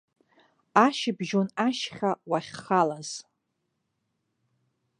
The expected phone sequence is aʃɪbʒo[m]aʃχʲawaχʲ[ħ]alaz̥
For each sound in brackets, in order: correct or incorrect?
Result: incorrect: n, incorrect: χ

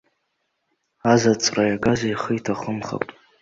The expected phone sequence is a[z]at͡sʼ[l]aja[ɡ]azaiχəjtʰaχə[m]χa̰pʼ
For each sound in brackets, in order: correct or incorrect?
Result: correct, incorrect: r, correct, correct

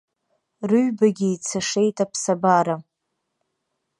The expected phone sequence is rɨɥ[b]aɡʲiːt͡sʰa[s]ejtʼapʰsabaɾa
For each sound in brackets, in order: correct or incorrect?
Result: correct, incorrect: ʂ

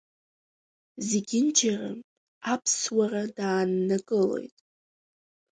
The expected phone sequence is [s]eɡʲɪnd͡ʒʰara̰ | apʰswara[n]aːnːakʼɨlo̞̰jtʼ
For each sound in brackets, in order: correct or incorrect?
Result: incorrect: z, incorrect: d

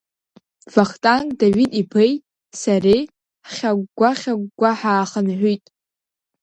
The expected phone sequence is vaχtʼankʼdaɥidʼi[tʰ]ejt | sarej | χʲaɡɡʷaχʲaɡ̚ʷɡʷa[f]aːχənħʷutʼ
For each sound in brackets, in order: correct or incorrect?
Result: incorrect: pʰ, incorrect: ħ

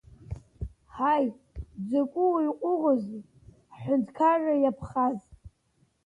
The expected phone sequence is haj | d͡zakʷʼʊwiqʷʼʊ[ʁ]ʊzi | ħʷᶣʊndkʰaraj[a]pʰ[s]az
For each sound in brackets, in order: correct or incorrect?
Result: correct, correct, incorrect: χ

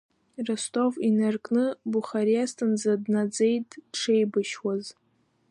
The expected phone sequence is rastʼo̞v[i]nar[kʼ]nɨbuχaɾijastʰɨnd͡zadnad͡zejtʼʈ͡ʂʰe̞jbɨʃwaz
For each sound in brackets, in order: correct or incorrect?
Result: correct, correct

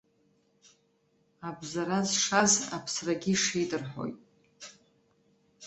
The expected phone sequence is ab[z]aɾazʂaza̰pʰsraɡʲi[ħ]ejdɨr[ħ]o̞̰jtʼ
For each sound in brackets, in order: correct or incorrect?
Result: correct, incorrect: ʂ, correct

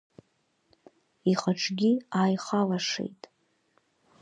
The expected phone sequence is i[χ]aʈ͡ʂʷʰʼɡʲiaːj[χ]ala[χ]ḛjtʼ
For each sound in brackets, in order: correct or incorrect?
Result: correct, correct, incorrect: ʂ

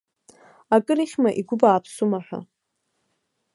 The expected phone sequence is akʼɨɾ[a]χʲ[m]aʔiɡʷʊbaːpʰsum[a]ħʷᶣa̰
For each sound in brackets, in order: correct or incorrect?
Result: incorrect: i, correct, correct

